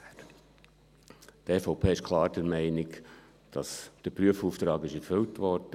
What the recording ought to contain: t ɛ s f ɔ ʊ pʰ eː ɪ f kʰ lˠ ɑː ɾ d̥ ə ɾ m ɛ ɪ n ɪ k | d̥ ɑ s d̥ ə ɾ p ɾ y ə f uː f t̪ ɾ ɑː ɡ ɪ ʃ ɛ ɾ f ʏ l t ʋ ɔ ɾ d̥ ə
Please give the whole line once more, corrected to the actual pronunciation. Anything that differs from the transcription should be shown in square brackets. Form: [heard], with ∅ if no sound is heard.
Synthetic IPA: t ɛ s f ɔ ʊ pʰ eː ɪ [ʃ] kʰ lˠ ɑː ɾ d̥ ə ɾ m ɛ ɪ n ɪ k | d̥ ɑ s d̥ ə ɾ p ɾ y ə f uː f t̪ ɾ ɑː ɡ ɪ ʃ ɛ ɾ f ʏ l t ʋ ɔ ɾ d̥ ə